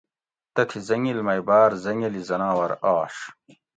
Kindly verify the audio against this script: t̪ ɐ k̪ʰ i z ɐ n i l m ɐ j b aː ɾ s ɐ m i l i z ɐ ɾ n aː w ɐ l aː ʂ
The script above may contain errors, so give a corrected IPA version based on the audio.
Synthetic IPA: t̪ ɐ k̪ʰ i z ɐ ŋ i l m ɐ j b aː ɾ z ɐ ŋ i l i z ɐ n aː w ɐ ɾ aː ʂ